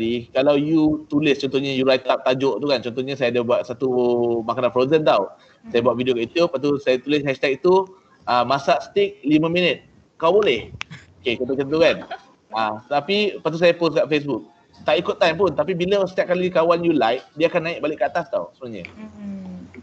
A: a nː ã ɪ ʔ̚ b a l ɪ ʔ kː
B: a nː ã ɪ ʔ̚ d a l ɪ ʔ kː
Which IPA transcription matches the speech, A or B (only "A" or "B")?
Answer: A